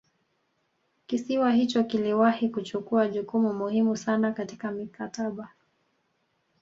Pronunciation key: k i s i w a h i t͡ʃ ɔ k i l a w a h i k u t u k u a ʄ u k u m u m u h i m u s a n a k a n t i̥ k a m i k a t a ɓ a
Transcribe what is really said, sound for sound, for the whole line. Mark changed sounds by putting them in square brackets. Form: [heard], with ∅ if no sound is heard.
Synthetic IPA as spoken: k i s i w a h i t͡ʃ ɔ k i l [i] w a h i k u [t͡ʃ] u k u a ʄ u k u m u m u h i m u s a n a k a [∅] t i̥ k a m i k a t a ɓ a